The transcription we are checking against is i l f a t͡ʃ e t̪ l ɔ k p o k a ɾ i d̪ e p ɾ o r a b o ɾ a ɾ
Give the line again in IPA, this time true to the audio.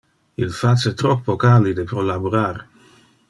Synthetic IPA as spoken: i l f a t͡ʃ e t̪ ɾ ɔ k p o k a l i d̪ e p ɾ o l a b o ɾ a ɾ